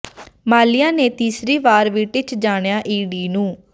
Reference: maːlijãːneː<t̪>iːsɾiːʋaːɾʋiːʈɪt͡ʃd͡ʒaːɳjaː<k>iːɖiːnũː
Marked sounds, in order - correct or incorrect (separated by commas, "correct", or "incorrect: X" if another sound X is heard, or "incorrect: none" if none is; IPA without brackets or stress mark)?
correct, incorrect: ʔ